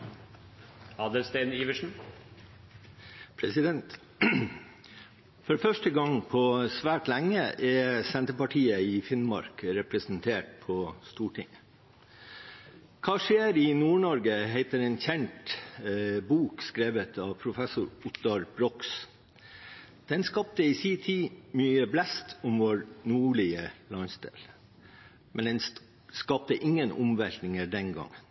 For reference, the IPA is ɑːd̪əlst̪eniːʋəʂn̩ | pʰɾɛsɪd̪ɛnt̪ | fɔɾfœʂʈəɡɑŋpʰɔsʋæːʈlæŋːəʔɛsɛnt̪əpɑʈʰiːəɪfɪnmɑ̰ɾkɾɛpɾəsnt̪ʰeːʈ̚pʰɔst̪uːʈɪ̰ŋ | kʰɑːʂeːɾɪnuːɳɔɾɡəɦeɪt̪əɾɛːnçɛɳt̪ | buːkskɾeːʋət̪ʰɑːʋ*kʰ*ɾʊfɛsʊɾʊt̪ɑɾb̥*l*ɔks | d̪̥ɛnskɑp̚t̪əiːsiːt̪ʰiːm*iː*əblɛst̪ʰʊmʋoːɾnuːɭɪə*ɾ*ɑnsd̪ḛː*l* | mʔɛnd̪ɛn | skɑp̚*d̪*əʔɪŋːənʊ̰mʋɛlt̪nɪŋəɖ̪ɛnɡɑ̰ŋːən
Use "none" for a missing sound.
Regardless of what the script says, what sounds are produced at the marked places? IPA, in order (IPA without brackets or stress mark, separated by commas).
pʰ, ɾ, yː, l, l, t̪